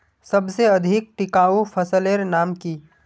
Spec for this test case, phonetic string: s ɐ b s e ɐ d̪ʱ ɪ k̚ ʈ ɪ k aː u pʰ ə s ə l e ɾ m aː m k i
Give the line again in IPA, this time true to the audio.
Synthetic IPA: s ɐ b s e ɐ d̪ʱ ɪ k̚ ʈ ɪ k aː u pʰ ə s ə l e ɾ n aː m k i